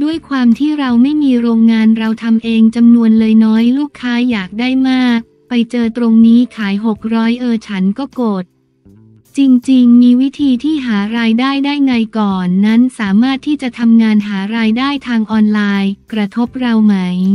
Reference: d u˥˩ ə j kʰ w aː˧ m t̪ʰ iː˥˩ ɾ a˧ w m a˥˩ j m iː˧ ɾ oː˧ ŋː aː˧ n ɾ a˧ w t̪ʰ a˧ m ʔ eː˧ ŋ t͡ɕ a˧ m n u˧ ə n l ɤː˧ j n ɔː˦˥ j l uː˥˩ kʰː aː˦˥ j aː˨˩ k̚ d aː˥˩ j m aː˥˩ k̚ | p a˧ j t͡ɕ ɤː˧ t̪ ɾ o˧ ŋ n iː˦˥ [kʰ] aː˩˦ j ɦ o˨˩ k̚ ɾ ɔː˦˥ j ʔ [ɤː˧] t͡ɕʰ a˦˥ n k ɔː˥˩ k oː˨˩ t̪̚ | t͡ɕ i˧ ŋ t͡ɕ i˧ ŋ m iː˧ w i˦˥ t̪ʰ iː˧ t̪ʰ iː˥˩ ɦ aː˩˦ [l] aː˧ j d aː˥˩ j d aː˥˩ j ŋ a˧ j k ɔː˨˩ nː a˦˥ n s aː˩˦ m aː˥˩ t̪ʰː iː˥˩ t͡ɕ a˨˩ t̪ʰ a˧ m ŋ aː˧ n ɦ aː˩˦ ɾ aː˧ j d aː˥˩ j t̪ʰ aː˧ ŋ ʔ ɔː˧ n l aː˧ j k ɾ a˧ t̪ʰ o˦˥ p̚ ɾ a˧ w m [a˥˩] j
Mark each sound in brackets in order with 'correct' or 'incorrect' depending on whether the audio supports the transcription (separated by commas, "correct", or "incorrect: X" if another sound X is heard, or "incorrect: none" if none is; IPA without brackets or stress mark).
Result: correct, correct, incorrect: ɾ, incorrect: a˦˥